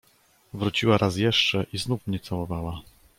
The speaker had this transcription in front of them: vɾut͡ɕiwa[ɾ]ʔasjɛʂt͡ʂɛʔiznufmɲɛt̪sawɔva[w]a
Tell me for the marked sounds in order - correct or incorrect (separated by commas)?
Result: correct, correct